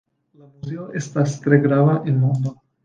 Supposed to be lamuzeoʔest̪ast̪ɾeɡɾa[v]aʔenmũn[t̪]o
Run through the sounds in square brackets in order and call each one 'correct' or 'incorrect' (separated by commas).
incorrect, incorrect